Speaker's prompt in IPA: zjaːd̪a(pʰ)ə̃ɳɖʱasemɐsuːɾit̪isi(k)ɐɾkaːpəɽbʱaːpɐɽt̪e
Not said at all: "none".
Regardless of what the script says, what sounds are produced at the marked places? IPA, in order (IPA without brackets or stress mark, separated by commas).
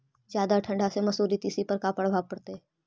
ʈʰ, p